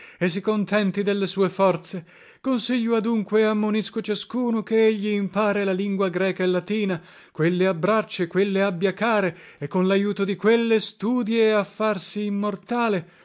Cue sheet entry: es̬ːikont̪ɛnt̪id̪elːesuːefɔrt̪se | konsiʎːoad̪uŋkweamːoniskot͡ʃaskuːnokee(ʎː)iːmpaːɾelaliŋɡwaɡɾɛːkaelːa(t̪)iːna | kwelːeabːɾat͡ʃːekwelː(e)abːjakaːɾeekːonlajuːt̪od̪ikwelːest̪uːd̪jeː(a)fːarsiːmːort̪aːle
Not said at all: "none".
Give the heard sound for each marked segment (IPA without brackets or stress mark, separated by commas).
ʎː, t̪, e, a